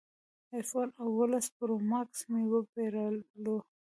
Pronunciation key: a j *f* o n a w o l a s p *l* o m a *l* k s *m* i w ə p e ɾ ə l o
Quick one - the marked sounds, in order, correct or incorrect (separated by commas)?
correct, incorrect, incorrect, correct